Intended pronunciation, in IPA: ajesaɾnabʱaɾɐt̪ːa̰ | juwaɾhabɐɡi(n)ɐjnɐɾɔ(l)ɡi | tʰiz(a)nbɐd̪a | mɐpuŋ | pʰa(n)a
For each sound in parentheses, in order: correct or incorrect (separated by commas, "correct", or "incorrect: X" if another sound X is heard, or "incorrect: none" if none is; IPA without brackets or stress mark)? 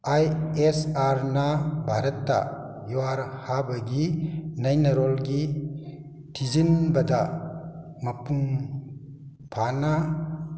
correct, correct, incorrect: i, correct